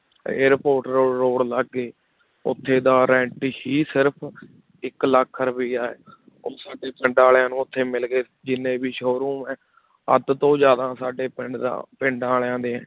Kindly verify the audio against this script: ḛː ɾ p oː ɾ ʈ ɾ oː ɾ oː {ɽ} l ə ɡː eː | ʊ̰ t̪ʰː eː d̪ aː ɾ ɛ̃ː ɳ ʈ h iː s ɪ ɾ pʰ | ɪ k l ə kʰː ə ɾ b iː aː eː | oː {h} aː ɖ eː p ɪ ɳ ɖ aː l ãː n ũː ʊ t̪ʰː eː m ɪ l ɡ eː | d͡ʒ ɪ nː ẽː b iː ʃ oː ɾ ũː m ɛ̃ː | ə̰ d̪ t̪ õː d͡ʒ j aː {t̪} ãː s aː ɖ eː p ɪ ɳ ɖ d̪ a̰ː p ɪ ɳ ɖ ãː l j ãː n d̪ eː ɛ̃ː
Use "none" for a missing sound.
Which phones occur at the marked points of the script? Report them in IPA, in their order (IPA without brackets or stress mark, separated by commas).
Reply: ɽ, s, d̪